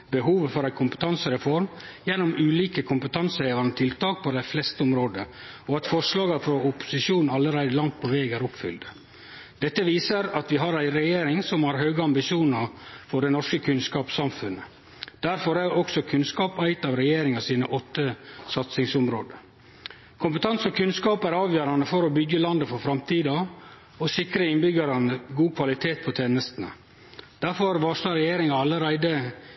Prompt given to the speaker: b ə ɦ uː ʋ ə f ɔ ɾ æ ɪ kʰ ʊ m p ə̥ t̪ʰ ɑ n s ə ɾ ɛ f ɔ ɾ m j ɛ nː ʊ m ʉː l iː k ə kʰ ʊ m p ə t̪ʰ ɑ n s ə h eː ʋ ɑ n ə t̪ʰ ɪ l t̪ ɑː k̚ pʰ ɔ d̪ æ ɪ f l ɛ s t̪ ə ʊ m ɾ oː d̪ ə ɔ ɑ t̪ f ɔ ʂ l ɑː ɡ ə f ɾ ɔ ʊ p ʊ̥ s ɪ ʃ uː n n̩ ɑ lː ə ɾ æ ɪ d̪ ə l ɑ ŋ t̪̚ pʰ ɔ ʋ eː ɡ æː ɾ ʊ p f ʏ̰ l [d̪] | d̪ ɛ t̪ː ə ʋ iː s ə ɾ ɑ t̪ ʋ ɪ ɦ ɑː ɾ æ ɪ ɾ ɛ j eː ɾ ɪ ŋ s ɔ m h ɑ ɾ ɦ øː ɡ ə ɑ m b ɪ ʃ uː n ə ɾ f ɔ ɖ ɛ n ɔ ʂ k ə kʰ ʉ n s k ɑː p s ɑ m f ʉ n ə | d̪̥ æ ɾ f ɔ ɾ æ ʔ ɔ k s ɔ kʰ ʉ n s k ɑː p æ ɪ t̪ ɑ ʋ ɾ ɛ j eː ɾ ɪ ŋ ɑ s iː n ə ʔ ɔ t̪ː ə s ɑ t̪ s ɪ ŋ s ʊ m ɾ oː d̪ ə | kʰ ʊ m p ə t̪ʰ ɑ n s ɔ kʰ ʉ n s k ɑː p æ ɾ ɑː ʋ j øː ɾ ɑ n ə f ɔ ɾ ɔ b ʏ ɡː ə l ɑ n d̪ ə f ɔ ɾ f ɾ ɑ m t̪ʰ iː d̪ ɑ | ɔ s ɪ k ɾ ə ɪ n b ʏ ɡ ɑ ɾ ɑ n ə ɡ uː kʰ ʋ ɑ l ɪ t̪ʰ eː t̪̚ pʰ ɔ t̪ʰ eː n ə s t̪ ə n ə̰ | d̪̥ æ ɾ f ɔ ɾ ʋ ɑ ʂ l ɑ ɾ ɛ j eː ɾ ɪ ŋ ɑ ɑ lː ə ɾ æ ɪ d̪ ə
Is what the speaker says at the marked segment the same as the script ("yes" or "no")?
yes